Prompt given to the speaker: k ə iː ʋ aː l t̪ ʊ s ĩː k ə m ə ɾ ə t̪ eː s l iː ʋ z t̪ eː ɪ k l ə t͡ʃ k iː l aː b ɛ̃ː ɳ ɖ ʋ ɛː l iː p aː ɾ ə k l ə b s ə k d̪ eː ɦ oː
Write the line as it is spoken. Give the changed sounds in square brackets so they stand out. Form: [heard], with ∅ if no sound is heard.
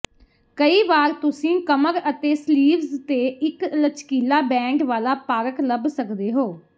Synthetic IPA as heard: k ə iː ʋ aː [ɾ] t̪ ʊ s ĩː k ə m ə ɾ ə t̪ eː s l iː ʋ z t̪ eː ɪ k l ə t͡ʃ k iː l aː b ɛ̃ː ɳ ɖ ʋ [aː] l [aː] p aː ɾ ə k l ə b s ə k d̪ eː ɦ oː